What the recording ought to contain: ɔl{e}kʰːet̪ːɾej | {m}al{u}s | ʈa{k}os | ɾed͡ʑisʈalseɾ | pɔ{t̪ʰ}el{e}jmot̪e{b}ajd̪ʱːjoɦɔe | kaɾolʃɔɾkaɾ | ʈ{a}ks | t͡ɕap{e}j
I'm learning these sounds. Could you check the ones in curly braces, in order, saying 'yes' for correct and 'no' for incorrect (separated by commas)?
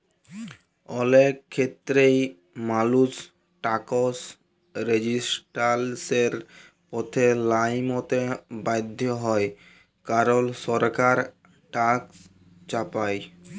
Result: yes, yes, yes, yes, yes, no, yes, yes, no